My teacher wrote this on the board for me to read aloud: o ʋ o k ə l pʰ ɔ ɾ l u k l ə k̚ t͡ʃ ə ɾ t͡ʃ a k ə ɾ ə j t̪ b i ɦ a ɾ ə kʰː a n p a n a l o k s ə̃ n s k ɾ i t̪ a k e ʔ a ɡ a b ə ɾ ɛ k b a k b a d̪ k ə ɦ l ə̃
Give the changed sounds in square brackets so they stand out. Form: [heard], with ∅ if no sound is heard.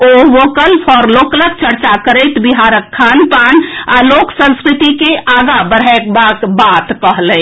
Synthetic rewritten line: o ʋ o k ə l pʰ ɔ ɾ l [o] k l ə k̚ t͡ʃ ə ɾ t͡ʃ a k ə ɾ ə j t̪ b i ɦ a ɾ ə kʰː a n p a n a l o k s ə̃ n s k ɾ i t̪ [i] k e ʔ a ɡ a b ə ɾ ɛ k b a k b a [t̪] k ə ɦ l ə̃